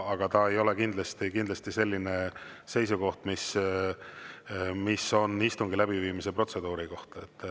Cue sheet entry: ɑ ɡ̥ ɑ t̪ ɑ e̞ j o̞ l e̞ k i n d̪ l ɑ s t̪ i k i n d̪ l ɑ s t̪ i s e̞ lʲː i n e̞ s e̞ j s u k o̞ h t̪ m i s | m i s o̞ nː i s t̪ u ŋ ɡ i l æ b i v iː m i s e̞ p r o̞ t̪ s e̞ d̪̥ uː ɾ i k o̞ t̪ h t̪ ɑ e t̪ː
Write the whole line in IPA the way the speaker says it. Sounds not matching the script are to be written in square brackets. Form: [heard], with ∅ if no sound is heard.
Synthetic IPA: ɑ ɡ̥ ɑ t̪ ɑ e̞ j o̞ l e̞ k i n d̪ l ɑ s t̪ i k i n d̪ l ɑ s t̪ i s e̞ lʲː i n e̞ s e̞ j s u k o̞ h t̪ m i s | m i s o̞ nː i s t̪ u ŋ ɡ i l æ b i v iː m i s e̞ p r o̞ t̪ s e̞ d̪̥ uː ɾ i k o̞ [∅] h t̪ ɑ e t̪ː

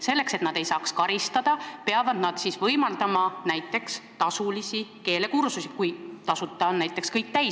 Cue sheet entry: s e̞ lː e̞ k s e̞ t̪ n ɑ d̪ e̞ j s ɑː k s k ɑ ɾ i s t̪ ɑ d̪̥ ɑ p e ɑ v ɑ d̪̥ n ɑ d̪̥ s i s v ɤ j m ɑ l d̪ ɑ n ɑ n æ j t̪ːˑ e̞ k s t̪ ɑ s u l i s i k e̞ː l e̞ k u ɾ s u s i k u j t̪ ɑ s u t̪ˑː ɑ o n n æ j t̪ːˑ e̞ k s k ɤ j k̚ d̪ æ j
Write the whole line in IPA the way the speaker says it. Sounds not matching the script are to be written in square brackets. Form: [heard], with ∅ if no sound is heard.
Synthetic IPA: s e̞ lː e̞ k s e̞ t̪ n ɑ d̪ e̞ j s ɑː k s k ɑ ɾ i s t̪ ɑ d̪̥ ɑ p e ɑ v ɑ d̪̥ n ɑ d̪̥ s i s v ɤ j m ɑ l d̪ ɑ [m] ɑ n æ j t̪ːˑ e̞ k s t̪ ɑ s u l i s i k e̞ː l e̞ k u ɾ s u s i k u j t̪ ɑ s u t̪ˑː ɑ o n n æ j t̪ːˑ e̞ k s k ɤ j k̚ [t̪] æ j

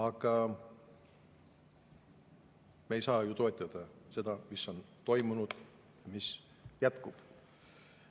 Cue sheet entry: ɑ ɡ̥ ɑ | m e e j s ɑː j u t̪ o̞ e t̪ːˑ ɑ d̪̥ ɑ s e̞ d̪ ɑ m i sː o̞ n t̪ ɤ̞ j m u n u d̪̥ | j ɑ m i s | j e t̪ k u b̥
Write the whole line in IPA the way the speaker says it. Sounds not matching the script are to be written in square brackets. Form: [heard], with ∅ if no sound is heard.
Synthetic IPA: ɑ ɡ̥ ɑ | m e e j s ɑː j u t̪ o̞ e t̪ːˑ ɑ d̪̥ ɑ s e̞ d̪ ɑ m i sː o̞ n t̪ [o̞] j m u n u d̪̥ | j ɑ m i s | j [æ] t̪ k u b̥

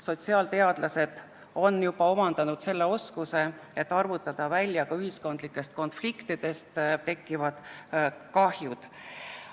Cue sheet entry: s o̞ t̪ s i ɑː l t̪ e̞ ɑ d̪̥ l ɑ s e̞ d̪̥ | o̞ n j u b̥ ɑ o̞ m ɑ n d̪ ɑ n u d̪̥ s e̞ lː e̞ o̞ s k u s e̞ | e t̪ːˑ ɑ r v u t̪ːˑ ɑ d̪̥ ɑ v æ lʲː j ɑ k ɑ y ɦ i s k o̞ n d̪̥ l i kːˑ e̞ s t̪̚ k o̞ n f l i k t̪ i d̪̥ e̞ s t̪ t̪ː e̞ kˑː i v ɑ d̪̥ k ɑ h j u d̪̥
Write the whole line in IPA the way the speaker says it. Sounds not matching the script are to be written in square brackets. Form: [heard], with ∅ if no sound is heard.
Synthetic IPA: s o̞ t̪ s i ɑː l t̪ e̞ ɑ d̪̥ l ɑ s e̞ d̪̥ | o̞ n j u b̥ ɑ o̞ m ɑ n d̪ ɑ n u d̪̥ s e̞ lː e̞ o̞ s k u s e̞ | e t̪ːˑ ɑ r v u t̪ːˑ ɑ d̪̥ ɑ v æ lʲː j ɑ k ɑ y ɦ i s k o̞ n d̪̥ l i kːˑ e̞ s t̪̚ k o̞ n f l i k t̪ i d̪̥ e̞ s t̪ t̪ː e̞ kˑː i v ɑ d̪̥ k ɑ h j u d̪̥

